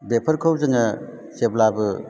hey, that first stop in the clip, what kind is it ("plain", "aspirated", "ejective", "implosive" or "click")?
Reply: plain